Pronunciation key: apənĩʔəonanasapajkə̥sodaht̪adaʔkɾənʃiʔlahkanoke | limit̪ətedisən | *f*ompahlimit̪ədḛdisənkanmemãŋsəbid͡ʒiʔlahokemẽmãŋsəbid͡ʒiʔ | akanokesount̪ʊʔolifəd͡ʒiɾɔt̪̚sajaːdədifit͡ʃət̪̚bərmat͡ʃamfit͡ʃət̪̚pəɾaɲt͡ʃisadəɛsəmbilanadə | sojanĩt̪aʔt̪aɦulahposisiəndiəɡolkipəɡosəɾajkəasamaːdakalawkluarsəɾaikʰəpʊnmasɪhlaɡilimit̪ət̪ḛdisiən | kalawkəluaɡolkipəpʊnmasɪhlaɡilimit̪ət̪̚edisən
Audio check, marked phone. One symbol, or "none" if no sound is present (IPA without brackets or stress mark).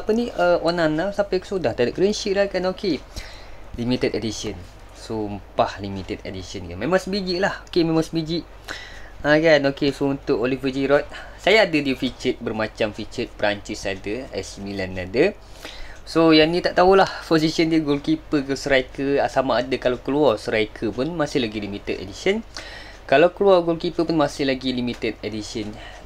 s